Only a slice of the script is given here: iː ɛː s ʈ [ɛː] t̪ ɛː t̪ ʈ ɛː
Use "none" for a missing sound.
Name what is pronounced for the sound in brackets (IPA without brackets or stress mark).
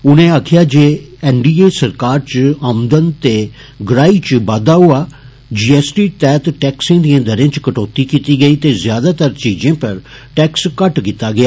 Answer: iː